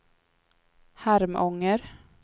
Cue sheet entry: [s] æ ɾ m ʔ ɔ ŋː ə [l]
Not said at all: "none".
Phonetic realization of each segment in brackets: h, ɾ

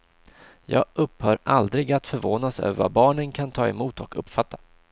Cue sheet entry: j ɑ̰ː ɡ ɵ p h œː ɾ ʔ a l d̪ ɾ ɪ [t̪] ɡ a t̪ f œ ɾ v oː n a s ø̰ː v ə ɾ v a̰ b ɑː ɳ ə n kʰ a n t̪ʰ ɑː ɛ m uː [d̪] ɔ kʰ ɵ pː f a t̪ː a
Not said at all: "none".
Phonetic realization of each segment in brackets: none, t̪

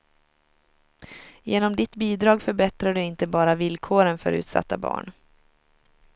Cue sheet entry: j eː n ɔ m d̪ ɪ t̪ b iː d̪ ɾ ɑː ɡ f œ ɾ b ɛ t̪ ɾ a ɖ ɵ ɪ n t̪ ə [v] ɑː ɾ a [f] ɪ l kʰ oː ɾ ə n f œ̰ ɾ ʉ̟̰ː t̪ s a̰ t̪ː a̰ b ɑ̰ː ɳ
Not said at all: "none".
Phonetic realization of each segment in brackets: b, v

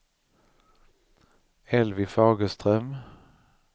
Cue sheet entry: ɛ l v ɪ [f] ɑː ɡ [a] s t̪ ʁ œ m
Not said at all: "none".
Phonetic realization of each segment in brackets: f, ə

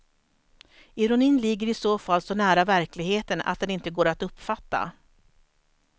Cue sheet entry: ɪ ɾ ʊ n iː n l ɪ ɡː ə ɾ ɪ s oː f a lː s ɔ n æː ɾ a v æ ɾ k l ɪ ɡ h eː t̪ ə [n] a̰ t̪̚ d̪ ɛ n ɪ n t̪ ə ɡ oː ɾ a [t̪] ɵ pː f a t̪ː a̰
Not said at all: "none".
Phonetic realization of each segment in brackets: n, t̪

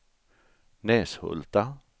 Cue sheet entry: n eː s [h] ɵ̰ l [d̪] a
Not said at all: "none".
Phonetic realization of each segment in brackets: h, t̪

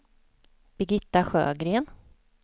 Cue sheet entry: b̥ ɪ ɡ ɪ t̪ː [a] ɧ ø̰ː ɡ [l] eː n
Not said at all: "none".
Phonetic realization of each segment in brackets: a, ɾ

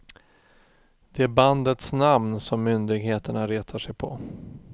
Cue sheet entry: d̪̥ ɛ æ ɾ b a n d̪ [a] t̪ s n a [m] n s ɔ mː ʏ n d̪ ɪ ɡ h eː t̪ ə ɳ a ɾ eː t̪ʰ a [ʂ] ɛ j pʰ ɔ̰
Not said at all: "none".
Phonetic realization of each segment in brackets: ə, m, ʂ

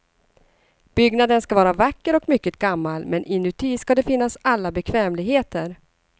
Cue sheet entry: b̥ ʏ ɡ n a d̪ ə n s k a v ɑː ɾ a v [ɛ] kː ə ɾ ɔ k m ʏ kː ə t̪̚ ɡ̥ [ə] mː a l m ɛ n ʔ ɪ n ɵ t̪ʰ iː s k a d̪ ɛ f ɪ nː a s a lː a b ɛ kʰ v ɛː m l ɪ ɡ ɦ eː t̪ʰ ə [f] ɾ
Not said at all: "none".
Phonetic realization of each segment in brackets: a, a, none

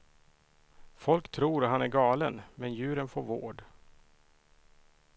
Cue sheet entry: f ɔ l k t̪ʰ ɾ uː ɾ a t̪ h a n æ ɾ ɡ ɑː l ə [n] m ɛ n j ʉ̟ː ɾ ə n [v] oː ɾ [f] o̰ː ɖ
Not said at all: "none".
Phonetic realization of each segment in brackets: n, f, v

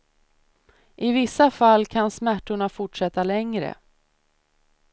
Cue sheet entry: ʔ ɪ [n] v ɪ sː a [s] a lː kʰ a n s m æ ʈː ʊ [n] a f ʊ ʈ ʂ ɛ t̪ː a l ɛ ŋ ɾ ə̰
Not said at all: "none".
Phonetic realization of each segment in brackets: none, f, ɳ

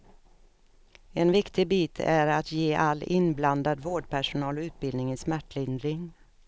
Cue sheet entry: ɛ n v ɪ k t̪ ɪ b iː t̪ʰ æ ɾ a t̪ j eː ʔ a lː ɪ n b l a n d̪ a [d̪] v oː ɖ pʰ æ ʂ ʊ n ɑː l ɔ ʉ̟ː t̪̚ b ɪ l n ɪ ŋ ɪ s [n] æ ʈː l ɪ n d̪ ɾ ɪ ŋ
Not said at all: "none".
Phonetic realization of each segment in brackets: d̪, m

